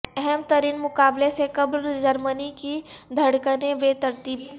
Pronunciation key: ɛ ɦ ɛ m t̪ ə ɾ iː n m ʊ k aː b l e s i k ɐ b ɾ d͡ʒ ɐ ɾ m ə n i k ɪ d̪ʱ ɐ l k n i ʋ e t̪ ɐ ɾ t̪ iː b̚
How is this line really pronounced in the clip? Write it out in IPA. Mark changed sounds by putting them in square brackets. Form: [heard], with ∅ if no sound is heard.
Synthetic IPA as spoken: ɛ ɦ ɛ m t̪ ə ɾ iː n m ʊ k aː b l e s [e] k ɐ b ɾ d͡ʒ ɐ ɾ m ə n i k [i] d̪ʱ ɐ [ɽ] k n [e] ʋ e t̪ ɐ ɾ t̪ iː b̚